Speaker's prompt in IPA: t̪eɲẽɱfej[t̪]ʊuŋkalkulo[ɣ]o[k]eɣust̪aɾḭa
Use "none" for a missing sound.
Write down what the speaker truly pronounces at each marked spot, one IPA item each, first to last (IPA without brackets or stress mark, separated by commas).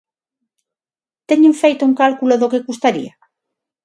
t̪, ð, k